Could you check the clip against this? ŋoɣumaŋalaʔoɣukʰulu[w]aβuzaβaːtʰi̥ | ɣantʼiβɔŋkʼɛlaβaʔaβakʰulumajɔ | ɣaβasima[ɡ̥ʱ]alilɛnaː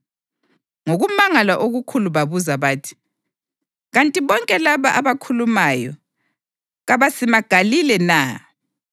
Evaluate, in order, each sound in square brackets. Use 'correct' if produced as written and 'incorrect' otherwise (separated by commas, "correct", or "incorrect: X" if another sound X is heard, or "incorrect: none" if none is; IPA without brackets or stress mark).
incorrect: β, correct